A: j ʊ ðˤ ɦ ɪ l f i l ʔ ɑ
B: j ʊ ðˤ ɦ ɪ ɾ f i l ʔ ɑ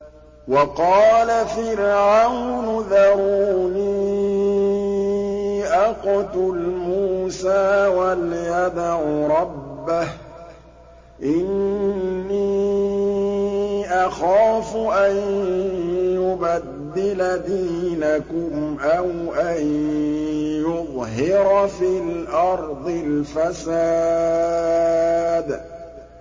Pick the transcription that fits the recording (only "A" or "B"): B